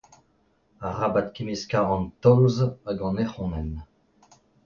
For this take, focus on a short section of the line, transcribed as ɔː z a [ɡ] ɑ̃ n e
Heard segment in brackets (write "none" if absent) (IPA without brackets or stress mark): ɡ